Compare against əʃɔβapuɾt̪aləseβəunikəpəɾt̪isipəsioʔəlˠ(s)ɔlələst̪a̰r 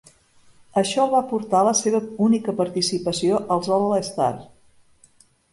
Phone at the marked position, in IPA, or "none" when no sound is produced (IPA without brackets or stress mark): z